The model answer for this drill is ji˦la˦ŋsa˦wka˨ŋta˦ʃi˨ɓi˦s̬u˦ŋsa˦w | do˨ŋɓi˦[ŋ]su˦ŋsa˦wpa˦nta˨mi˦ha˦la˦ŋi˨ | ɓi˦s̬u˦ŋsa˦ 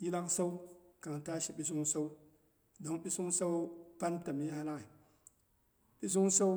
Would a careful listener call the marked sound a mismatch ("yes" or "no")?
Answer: yes